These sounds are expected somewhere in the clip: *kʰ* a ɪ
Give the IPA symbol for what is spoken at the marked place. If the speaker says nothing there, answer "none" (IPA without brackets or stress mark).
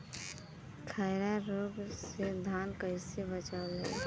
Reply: kʰ